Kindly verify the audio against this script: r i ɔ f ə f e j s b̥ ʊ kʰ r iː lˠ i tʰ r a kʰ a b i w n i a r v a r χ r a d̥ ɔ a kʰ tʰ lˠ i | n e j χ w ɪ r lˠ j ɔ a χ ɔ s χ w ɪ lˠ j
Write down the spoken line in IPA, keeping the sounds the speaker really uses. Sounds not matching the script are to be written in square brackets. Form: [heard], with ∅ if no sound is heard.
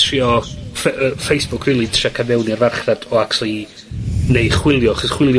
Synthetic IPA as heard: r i ɔ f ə f e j s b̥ ʊ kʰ r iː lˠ i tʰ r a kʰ a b [ɛ] w n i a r v a r χ r a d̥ ɔ a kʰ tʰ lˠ i | n e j χ w ɪ [∅] lˠ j ɔ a χ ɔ s χ w ɪ lˠ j